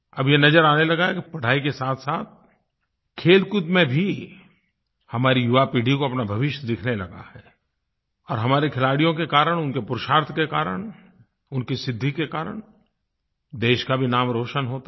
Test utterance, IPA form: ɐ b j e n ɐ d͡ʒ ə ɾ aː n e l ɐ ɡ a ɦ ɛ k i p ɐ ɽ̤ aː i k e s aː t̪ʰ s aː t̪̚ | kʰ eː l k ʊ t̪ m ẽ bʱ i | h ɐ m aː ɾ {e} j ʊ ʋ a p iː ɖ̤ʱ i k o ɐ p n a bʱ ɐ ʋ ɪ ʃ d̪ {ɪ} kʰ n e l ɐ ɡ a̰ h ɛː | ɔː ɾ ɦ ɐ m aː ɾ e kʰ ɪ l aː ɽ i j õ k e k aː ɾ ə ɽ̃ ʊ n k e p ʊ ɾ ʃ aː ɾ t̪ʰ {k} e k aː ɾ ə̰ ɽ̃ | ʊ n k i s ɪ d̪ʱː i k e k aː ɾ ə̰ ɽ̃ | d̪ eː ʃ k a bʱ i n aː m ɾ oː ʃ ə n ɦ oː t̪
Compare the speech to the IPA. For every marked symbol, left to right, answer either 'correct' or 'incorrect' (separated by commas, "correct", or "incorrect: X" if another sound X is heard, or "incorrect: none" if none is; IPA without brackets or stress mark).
incorrect: i, correct, correct